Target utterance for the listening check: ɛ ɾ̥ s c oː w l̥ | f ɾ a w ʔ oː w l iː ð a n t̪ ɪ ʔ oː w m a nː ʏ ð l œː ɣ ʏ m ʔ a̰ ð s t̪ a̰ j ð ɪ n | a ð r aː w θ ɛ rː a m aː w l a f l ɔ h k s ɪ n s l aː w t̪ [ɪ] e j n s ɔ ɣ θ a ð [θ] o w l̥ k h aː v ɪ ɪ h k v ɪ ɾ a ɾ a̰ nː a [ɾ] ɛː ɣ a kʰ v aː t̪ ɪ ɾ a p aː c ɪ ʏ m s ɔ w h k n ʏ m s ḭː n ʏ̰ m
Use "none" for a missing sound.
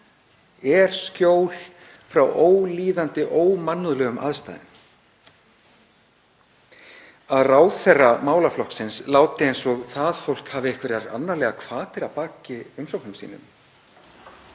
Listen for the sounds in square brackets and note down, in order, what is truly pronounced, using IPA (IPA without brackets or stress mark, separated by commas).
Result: ɪ, f, l